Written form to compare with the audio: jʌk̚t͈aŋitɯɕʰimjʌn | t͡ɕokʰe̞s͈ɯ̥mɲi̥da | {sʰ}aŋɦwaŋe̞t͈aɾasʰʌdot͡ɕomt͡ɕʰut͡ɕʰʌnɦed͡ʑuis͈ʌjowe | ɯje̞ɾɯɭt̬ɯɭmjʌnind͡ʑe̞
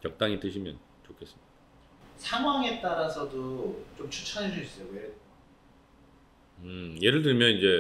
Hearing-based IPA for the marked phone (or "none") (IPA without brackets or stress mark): sʰ